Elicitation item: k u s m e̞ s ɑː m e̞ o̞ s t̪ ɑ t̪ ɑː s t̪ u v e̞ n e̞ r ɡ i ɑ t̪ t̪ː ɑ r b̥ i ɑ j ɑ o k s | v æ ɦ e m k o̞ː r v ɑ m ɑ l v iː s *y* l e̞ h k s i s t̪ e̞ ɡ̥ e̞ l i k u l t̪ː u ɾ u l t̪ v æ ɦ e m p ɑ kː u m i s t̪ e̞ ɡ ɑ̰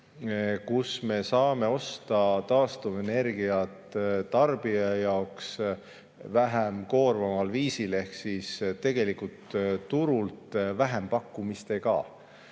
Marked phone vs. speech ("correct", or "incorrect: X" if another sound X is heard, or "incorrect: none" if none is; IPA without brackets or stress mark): incorrect: i